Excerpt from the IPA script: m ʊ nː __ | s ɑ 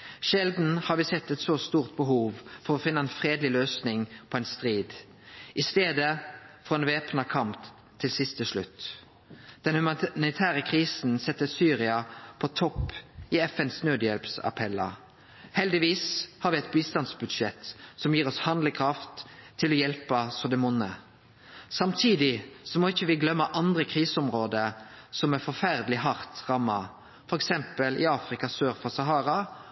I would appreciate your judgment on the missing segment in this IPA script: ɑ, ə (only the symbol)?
ə